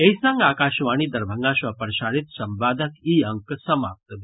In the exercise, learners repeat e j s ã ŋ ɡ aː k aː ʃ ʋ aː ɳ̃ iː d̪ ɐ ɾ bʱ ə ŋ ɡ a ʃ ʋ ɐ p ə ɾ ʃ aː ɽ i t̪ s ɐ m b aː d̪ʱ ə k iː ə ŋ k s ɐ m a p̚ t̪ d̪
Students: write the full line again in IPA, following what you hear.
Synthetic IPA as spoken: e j s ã ŋ ɡ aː k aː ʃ ʋ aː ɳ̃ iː d̪ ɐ ɾ bʱ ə ŋ ɡ a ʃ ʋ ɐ p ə ɾ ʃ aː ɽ i t̪ s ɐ m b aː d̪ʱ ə k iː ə ŋ k s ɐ m a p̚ t̪ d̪